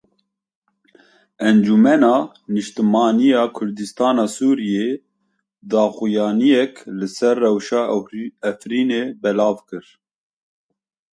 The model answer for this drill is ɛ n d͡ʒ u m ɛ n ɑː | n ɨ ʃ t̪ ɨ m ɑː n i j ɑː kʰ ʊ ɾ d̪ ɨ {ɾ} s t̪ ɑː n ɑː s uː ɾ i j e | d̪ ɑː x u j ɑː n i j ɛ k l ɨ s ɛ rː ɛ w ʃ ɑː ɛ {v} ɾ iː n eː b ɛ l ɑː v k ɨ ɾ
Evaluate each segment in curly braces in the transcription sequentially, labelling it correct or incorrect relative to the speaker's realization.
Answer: incorrect, incorrect

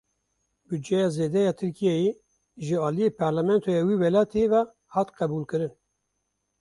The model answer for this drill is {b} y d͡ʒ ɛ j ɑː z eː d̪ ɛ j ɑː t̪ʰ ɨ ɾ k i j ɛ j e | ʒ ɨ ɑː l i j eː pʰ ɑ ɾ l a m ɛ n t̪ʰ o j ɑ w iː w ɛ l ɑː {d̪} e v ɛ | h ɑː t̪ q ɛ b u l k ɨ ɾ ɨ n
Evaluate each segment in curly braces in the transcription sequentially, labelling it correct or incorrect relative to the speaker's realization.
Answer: correct, incorrect

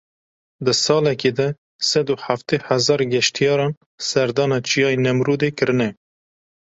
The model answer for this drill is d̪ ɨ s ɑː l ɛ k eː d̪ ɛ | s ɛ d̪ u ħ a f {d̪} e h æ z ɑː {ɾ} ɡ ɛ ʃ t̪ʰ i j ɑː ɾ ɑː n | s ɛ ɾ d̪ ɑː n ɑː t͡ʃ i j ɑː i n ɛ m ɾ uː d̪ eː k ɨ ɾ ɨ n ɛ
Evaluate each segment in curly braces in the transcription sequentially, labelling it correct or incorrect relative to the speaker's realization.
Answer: incorrect, correct

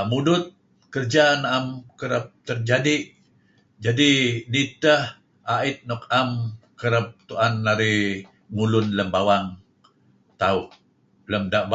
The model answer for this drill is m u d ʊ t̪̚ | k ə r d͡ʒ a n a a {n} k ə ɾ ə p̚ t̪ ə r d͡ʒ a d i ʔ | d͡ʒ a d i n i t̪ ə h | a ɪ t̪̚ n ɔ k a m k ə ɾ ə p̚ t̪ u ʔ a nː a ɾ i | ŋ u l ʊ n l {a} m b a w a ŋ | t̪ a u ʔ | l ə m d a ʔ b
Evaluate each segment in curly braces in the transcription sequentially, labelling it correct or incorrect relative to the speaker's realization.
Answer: incorrect, incorrect

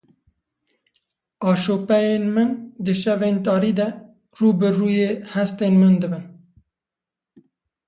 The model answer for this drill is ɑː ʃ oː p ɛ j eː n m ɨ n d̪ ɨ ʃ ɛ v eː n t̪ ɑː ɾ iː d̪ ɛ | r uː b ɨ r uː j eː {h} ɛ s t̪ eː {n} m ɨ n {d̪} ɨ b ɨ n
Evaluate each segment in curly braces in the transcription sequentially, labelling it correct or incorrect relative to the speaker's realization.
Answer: correct, correct, correct

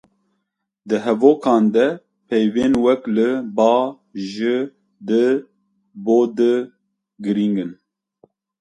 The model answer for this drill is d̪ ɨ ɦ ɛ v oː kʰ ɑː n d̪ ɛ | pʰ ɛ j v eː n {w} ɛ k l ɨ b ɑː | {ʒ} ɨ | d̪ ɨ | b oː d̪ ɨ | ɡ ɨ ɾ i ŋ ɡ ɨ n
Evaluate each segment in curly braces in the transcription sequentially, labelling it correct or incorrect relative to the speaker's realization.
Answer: correct, correct

